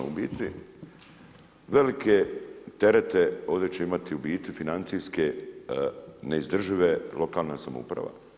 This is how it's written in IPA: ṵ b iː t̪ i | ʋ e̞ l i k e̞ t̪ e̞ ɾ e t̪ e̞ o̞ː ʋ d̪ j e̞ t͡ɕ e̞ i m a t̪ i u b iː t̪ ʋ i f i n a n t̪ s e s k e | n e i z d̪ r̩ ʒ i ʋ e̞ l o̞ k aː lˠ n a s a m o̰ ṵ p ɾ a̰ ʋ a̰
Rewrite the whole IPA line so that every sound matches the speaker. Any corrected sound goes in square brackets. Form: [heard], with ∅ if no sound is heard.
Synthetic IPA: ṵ b iː t̪ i | ʋ e̞ l i k e̞ t̪ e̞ ɾ e t̪ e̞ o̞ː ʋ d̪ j e̞ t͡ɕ e̞ i m a t̪ i u b iː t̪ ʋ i f i n a n t̪ s [i] s k e | n e i z d̪ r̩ ʒ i ʋ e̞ l o̞ k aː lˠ n a s a m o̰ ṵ p ɾ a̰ ʋ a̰